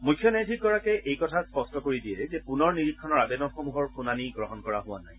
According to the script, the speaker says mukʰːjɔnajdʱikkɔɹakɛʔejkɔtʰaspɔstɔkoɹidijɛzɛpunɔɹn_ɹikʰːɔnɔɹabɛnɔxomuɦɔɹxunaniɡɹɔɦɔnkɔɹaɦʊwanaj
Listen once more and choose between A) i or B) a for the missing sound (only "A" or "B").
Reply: A